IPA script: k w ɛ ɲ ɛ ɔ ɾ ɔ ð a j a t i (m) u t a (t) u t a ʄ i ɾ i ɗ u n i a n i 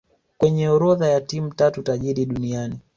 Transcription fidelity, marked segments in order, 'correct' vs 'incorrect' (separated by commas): correct, correct